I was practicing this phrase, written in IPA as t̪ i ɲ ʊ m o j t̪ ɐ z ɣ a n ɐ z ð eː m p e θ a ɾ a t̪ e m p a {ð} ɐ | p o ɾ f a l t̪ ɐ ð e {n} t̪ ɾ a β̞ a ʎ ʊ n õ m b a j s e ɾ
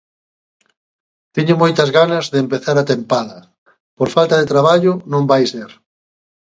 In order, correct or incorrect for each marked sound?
correct, incorrect

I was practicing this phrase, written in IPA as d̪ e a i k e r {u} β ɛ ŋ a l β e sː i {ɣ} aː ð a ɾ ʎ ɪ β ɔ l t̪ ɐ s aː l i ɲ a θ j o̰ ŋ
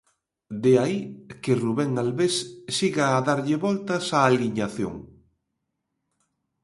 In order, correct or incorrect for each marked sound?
correct, correct

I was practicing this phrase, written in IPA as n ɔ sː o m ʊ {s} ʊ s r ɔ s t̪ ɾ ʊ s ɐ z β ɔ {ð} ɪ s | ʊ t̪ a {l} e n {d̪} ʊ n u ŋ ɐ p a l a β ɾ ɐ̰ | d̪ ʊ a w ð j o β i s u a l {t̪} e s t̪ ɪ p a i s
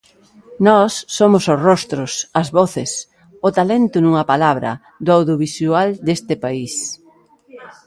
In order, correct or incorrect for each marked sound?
correct, incorrect, correct, incorrect, incorrect

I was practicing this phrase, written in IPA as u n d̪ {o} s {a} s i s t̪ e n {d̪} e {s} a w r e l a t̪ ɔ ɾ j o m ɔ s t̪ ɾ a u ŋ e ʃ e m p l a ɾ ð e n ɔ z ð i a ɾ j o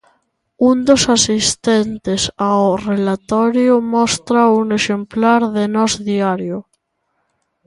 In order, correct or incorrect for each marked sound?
correct, correct, incorrect, correct

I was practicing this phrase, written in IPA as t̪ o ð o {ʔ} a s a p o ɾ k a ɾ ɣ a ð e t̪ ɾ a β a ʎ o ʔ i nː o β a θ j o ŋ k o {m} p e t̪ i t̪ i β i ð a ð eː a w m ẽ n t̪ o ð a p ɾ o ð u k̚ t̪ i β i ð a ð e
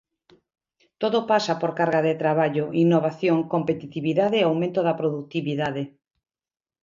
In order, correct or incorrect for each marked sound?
incorrect, correct

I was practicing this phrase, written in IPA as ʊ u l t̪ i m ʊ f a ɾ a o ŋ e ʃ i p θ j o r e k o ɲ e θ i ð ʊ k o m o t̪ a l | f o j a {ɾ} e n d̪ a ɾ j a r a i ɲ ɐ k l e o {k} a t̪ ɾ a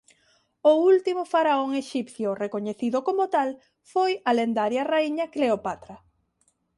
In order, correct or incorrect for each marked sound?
incorrect, incorrect

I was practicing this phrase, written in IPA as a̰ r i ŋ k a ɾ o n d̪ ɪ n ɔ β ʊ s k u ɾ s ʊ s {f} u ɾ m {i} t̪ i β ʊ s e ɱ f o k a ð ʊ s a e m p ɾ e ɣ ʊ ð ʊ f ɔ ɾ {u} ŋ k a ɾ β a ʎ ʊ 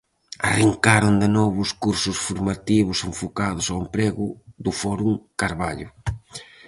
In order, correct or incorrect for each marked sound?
correct, incorrect, correct

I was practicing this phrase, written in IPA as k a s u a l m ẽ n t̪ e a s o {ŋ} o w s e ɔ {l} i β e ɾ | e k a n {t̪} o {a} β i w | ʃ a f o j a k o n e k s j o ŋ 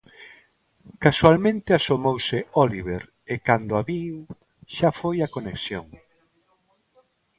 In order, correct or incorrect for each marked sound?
incorrect, correct, incorrect, correct

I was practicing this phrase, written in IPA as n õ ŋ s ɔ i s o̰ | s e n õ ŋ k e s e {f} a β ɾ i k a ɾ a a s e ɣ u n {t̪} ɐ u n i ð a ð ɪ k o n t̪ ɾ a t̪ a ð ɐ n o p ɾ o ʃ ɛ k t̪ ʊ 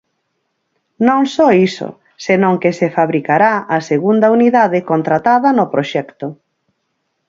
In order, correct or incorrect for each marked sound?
correct, incorrect

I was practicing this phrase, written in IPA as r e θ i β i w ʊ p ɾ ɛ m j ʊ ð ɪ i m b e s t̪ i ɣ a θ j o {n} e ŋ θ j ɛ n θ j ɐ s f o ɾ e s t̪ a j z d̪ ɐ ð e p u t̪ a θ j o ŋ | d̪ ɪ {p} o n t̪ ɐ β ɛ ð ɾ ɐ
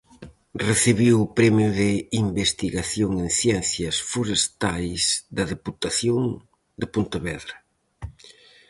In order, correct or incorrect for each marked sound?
incorrect, correct

